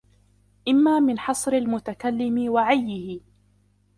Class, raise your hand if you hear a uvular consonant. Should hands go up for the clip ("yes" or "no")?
no